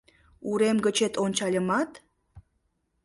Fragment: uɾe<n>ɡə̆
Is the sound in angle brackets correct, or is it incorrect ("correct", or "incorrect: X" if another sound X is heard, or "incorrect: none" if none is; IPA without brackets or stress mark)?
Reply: incorrect: m